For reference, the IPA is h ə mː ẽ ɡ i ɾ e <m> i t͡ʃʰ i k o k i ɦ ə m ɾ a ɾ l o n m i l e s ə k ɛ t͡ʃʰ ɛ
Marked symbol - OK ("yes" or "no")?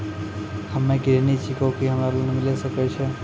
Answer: no